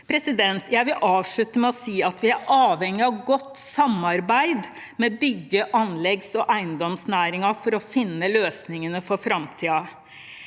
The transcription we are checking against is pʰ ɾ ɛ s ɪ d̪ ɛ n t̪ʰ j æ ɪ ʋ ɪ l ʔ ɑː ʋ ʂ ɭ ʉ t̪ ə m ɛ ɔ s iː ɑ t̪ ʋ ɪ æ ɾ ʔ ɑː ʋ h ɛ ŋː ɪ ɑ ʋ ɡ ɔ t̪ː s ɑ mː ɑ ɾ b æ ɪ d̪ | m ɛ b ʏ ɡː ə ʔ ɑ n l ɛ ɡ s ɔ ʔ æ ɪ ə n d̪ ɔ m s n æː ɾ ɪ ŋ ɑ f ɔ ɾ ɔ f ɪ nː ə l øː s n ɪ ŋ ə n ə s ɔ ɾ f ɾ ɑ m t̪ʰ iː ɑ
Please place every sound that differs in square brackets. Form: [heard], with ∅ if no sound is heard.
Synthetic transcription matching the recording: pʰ ɾ ɛ s ɪ d̪ ɛ n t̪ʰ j æ ɪ ʋ ɪ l ʔ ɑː ʋ ʂ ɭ ʉ t̪ ə m ɛ ɔ s iː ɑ t̪ ʋ ɪ æ ɾ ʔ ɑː ʋ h ɛ ŋː ɪ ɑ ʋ ɡ ɔ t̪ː s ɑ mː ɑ ɾ b æ ɪ d̪ | m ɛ b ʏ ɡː ə ʔ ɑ n l ɛ ɡ s ɔ ʔ æ ɪ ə n d̪ ɔ m s n æː ɾ ɪ ŋ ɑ f ɔ ɾ ɔ f ɪ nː ə l øː s n ɪ ŋ ə n ə [f] ɔ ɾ f ɾ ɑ m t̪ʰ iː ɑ